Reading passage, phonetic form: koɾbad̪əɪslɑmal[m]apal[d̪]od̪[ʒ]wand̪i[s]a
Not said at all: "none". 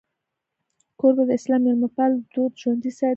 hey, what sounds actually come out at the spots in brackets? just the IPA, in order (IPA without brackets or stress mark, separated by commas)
m, d̪, ʒ, s